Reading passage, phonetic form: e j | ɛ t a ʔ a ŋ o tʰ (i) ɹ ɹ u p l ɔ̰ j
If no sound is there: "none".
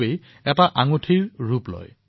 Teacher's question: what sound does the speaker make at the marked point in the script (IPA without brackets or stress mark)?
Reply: i